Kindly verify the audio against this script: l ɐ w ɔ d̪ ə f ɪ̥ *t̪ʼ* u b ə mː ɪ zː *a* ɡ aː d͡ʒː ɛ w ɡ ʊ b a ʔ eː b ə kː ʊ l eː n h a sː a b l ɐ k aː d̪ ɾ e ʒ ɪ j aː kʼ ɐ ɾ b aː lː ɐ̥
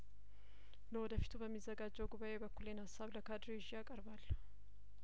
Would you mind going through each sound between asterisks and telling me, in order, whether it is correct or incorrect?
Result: incorrect: t̪, incorrect: ɐ

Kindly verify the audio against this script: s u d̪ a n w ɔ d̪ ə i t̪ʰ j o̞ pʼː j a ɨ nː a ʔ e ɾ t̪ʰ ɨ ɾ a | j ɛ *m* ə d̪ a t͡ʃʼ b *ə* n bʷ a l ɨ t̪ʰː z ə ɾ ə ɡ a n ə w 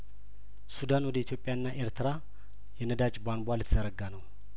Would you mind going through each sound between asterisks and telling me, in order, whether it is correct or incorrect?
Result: incorrect: n, incorrect: a

